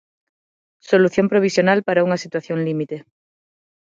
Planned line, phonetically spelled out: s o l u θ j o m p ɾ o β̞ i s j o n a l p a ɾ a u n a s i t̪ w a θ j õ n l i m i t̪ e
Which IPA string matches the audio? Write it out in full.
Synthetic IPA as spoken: s o l u θ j o m p ɾ o β̞ i s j o n a l p a ɾ a u ŋ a s i t̪ w a θ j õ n l i m i t̪ e